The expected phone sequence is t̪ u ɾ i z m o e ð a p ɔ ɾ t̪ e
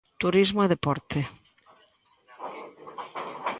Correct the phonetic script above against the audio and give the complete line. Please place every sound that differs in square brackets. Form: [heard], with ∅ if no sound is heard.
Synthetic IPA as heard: t̪ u ɾ i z m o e ð [e] p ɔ ɾ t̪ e